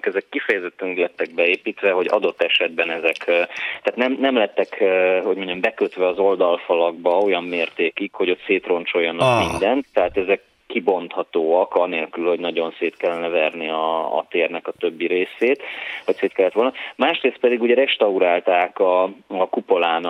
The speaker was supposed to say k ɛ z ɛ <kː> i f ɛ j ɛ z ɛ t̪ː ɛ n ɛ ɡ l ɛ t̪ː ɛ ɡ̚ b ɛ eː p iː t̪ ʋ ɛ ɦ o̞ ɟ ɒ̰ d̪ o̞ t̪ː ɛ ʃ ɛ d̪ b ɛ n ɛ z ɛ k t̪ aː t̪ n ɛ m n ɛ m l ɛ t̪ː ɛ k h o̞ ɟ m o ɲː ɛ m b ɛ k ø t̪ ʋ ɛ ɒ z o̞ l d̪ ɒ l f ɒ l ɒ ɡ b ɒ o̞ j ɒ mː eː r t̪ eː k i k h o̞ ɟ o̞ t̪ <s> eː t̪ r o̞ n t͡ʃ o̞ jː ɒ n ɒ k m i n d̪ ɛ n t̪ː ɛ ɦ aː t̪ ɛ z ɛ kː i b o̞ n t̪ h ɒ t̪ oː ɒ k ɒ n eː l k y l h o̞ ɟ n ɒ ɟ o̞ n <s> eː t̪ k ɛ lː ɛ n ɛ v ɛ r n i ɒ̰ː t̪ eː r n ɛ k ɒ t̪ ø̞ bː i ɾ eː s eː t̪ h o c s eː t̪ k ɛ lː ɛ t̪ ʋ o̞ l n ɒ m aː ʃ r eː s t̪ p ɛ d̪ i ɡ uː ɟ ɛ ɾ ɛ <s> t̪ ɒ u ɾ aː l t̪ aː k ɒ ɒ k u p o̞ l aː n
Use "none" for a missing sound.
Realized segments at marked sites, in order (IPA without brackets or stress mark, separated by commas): kː, s, s, ʃ